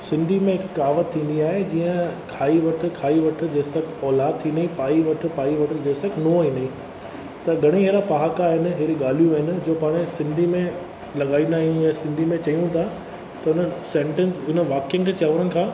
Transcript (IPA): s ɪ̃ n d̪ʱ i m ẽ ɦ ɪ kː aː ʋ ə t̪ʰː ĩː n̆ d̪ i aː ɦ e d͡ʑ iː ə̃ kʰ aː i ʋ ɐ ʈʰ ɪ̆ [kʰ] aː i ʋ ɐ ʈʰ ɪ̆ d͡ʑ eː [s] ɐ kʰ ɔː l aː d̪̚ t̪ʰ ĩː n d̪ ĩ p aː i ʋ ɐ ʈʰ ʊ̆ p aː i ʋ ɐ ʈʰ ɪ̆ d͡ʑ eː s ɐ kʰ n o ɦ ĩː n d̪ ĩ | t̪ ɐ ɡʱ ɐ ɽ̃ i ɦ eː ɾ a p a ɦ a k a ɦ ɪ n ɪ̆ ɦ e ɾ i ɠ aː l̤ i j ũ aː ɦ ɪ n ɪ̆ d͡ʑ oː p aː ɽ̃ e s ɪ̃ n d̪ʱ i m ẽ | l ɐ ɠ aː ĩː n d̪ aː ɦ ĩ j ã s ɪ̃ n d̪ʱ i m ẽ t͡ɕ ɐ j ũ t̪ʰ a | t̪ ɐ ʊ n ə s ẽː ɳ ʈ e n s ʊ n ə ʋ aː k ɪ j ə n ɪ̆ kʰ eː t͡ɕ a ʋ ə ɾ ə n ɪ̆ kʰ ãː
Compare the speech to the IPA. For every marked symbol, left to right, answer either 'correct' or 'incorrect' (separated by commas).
correct, correct